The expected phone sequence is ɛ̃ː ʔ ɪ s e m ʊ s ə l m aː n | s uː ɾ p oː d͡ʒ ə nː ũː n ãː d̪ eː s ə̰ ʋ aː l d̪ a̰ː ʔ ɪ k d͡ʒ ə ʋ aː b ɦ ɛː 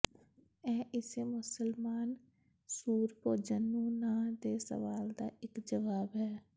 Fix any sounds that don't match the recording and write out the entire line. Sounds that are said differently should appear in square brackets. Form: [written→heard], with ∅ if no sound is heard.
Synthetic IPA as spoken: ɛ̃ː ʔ ɪ s e m ʊ s ə l m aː n | s uː ɾ p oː d͡ʒ ə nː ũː n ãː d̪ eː s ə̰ ʋ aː l d̪ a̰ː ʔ ɪ k d͡ʒ ə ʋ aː b ɦ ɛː